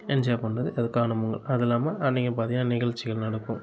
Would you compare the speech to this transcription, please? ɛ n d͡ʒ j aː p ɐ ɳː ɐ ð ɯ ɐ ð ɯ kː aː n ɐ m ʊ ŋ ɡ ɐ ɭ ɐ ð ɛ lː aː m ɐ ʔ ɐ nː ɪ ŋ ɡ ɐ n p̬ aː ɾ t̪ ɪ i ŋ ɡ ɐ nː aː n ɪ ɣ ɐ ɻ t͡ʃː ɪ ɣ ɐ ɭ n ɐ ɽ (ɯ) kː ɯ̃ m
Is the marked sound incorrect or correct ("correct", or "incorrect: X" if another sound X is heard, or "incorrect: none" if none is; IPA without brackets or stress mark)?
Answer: correct